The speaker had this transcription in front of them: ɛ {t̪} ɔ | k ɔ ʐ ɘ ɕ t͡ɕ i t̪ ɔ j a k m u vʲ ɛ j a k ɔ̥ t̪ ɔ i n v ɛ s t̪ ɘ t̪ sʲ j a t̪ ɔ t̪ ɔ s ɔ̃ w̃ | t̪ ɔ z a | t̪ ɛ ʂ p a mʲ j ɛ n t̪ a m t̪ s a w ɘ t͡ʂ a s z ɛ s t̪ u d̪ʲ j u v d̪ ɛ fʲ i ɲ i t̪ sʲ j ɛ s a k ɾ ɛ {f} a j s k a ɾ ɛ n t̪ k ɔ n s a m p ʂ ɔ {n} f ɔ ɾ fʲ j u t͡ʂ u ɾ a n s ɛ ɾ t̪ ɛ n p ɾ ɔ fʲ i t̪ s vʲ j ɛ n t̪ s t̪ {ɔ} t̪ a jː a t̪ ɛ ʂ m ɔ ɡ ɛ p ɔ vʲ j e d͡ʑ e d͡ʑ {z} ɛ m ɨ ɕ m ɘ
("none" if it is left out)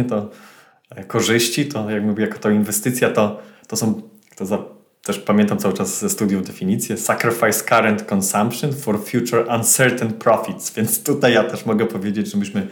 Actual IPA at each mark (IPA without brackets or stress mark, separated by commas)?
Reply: t̪, f, n, u, ʐ